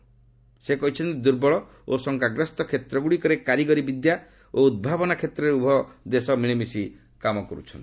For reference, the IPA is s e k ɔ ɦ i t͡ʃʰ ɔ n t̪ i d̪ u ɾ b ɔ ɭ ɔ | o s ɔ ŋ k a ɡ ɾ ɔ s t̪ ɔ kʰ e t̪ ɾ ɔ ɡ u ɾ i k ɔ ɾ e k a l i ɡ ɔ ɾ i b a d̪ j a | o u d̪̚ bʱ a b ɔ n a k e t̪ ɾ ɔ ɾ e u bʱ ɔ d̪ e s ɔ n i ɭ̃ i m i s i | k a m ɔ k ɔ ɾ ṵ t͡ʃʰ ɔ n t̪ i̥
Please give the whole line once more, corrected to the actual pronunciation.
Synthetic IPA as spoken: s e k ɔ ɦ i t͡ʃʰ ɔ n t̪ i d̪ u ɾ b ɔ ɭ ɔ | o s ɔ ŋ k a ɡ ɾ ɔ s t̪ ɔ kʰ e t̪ ɾ ɔ ɡ u ɽ i k ɔ ɾ e k a ɾ i ɡ ɔ ɾ i b i d̪ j a | o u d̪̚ bʱ a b ɔ n a kʰ e t̪ ɾ ɔ ɾ e u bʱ ɔ d̪ e s ɔ m i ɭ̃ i m i s i | k a m ɔ k ɔ ɾ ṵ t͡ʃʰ ɔ n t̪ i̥